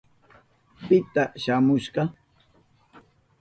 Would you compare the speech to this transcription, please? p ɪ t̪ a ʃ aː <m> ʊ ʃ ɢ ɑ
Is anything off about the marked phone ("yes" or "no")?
no